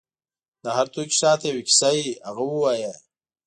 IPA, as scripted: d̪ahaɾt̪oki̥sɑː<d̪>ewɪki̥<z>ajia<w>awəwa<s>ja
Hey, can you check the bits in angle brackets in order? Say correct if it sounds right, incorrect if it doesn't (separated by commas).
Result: incorrect, incorrect, incorrect, incorrect